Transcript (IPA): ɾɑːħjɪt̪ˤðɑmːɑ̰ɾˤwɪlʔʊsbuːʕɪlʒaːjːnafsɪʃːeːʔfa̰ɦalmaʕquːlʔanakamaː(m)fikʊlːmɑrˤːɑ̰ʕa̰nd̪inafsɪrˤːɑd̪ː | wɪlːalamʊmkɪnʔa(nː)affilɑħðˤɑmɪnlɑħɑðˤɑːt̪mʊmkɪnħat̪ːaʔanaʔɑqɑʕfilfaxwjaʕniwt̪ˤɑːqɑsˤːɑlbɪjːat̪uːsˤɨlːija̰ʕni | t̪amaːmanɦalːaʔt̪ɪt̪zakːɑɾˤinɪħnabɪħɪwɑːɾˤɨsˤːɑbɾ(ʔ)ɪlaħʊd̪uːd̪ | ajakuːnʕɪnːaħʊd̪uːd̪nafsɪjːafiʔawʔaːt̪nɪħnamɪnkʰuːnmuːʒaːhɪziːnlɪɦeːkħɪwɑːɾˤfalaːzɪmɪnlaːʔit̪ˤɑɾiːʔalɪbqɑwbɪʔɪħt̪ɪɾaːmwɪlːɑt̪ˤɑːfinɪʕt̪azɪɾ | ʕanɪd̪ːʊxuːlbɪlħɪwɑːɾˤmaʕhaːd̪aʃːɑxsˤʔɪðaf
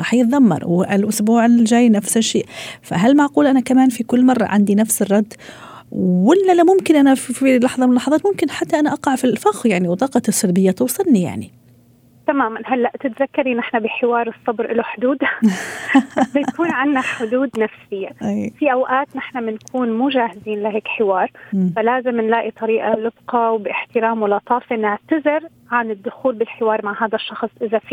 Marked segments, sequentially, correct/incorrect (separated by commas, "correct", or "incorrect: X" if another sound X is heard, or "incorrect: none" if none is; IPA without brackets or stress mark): incorrect: n, incorrect: n, correct